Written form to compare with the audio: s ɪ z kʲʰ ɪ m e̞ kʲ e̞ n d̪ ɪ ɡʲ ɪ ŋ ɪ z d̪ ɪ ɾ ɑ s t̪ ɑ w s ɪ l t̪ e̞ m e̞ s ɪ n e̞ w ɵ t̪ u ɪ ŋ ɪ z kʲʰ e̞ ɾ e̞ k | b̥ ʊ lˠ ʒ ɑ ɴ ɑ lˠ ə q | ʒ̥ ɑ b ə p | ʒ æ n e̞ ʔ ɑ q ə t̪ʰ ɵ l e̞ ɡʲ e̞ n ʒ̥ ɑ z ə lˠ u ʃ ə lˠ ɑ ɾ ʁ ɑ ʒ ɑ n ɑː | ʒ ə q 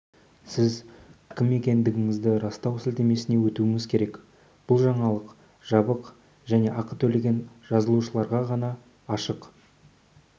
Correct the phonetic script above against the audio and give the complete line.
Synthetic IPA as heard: s ɪ z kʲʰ ɪ m e̞ kʲ e̞ n d̪ ɪ ɡʲ ɪ ŋ ɪ z d̪ ɪ ɾ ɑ s t̪ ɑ w s ɪ l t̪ e̞ m e̞ s ɪ n e̞ w ɵ t̪ u ɪ ŋ ɪ z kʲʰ e̞ ɾ e̞ k | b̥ ʊ lˠ ʒ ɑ ɴ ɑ lˠ ə q | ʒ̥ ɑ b ə q | ʒ æ n e̞ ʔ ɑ q ə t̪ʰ ɵ l e̞ ɡʲ e̞ n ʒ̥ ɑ z ə lˠ u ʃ ə lˠ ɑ ɾ ʁ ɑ ʁ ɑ n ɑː | ʃ ə q

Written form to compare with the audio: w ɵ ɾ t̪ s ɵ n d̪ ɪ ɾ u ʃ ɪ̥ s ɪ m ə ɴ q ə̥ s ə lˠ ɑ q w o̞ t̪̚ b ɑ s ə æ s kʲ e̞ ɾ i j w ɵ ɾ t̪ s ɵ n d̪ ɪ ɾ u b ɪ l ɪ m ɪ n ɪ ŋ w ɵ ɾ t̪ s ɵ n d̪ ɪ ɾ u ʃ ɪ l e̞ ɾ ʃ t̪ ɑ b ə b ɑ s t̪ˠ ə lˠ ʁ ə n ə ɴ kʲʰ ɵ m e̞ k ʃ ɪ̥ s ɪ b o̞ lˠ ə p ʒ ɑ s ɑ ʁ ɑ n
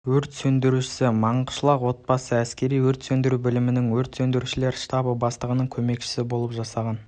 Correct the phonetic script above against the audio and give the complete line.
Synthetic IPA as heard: w ɵ ɾ t̪ s ɵ n d̪ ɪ ɾ u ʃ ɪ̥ s ɪ m ɑ ɴ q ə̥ ʃ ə lˠ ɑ q w o̞ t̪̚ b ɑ s ə æ s kʲ e̞ ɾ i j w ɵ ɾ t̪ s ɵ n d̪ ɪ ɾ u b ɪ l ɪ m ɪ n ɪ ŋ w ɵ ɾ t̪ s ɵ n d̪ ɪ ɾ u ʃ ɪ l e̞ ɾ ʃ t̪ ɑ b ə b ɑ s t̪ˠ ə ʁ ə n ə ɴ kʲʰ ɵ m e̞ k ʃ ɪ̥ s ɪ b o̞ lˠ ə p ʒ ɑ s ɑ ʁ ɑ n

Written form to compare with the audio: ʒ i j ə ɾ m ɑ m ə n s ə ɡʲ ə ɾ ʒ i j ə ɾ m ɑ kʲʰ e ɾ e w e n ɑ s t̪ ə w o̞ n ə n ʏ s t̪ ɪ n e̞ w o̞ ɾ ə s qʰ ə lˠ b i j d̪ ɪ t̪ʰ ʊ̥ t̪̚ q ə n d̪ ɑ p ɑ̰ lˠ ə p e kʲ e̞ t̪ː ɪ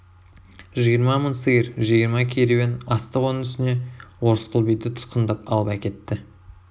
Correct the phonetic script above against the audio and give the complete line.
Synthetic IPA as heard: ʒ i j ə ɾ m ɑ m ə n s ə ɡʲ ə ɾ ʒ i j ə ɾ m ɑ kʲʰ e ɾ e w e n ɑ s t̪ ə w o̞ n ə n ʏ s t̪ ɪ n e̞ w o̞ ɾ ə s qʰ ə lˠ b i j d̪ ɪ t̪ʰ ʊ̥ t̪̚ q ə n d̪ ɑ p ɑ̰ lˠ ə p æ kʲ e̞ t̪ː ɪ

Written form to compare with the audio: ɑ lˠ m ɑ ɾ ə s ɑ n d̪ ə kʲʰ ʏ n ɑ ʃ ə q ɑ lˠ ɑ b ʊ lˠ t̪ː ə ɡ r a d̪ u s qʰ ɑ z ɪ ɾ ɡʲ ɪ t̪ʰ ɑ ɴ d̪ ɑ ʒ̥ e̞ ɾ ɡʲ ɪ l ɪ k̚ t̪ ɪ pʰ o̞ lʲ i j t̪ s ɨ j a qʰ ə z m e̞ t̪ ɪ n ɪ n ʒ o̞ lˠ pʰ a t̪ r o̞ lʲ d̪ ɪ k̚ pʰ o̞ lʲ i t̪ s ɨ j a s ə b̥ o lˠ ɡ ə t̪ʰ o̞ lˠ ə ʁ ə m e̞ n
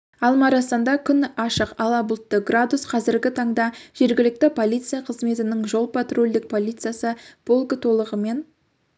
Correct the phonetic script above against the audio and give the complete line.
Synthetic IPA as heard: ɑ lˠ m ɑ ɾ ɑ s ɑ n d̪ ɑ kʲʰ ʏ n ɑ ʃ ə q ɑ lˠ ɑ b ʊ lˠ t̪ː ə ɡ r a d̪ u s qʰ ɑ z ɪ ɾ ɡʲ ɪ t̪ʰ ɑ ɴ d̪ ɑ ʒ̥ e̞ ɾ ɡʲ ɪ l ɪ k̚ t̪ ɪ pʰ o̞ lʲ i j t̪ s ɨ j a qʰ ə z m e̞ t̪ ɪ n ɪ ŋ ʒ o̞ lˠ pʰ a t̪ r o̞ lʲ d̪ ɪ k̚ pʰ o̞ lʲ i t̪ s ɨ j a s ə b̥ o lˠ ɡ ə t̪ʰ o̞ lˠ ə ʁ ə m e̞ n

